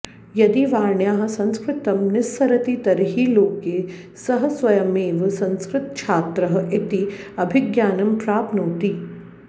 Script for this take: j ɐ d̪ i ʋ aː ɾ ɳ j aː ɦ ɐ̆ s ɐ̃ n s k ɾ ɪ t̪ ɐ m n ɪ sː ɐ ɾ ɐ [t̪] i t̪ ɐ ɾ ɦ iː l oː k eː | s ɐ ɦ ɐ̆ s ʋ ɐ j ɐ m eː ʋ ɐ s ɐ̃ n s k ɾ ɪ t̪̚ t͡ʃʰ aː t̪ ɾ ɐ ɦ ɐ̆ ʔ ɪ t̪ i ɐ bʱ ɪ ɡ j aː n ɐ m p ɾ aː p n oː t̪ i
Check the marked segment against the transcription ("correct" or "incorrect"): correct